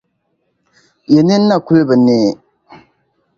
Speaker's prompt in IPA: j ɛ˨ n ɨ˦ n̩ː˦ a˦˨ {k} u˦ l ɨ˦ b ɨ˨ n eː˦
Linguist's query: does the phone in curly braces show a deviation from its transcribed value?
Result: no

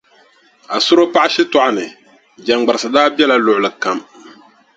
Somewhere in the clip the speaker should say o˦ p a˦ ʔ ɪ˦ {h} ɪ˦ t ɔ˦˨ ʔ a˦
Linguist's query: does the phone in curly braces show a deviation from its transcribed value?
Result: yes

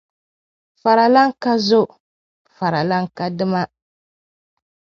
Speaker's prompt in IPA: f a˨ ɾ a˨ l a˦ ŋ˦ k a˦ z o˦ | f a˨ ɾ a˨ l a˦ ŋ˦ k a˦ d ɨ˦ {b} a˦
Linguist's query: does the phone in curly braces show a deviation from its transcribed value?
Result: yes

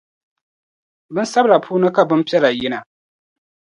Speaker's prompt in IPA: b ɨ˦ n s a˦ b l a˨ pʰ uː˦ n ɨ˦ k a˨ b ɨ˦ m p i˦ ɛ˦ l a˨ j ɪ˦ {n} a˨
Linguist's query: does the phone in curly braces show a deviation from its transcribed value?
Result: no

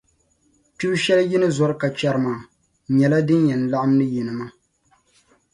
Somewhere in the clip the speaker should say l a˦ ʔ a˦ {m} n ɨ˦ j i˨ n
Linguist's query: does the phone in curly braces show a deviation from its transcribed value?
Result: no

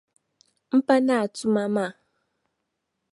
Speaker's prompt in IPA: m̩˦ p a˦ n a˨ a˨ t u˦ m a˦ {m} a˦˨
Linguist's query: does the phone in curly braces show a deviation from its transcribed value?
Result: no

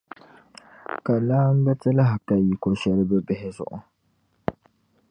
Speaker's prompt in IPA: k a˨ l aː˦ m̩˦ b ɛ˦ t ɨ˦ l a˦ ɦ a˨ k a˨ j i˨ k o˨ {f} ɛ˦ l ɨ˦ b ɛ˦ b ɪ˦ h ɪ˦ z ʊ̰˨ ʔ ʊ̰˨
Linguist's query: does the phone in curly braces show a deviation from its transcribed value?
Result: yes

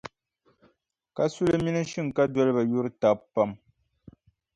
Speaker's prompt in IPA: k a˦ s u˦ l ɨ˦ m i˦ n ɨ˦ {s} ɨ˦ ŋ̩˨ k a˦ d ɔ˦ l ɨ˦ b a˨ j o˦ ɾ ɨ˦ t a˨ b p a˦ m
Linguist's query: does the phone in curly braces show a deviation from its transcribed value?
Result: yes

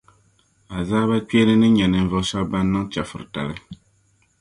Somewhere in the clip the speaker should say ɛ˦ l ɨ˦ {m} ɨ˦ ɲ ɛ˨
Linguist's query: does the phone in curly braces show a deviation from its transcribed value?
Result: yes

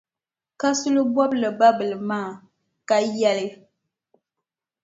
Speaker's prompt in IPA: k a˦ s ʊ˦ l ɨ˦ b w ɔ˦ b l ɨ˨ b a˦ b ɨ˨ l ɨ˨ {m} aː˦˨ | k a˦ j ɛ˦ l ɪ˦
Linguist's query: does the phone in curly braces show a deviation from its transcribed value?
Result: no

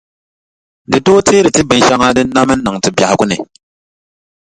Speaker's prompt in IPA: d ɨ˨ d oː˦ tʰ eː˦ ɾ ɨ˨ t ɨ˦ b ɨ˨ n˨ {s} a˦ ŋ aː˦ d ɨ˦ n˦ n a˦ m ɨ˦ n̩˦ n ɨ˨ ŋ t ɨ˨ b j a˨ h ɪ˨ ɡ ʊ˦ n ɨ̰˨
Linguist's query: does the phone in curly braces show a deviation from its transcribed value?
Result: yes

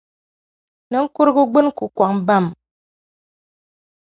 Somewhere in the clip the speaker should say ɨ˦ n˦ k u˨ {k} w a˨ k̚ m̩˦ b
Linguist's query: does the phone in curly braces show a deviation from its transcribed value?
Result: no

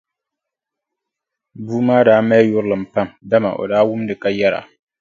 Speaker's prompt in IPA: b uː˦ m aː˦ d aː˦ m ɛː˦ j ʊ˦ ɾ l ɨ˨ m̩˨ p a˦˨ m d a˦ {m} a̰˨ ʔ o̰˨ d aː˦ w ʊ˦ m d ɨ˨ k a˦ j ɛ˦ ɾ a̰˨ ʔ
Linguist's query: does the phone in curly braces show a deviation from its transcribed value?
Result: no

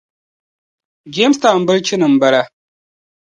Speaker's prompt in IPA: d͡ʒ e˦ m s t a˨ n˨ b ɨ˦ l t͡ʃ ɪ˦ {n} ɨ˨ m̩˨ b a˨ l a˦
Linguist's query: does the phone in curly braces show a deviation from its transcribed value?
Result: no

